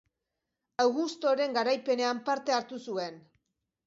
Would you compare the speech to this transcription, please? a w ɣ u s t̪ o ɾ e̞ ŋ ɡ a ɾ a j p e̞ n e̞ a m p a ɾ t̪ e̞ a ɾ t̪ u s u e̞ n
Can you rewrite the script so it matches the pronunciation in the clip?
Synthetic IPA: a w ɣ u s t̪ o ɾ e̞ ŋ ɡ a ɾ a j p e̞ n e̞ a m p a ɾ t̪ e̞ a ɾ t̪ u s u e̞ n